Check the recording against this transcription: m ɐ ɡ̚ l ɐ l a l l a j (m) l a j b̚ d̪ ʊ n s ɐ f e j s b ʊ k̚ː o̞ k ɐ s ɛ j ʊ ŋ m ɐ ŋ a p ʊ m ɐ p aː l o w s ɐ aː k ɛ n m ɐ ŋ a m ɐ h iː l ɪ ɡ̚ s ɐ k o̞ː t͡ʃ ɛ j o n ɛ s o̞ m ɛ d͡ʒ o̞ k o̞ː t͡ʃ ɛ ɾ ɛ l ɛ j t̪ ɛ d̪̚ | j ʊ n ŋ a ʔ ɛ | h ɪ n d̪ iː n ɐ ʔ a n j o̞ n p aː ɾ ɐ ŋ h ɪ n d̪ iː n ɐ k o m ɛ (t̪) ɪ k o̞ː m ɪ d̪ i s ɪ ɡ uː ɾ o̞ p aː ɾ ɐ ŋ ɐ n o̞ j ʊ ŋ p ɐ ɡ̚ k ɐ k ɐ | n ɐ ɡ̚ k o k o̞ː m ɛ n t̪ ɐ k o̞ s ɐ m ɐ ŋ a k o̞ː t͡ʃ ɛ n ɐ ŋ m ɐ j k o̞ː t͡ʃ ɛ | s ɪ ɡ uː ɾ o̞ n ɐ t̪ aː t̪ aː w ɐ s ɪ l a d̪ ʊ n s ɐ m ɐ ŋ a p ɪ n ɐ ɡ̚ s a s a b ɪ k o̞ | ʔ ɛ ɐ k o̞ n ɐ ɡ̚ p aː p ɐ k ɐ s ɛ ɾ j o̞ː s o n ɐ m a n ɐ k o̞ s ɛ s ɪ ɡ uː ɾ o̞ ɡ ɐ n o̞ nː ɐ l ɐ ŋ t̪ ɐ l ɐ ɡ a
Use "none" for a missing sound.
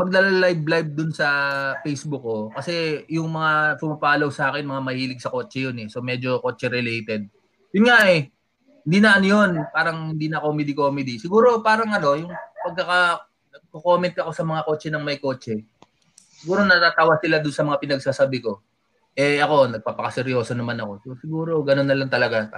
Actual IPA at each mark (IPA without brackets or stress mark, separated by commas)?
b, d̪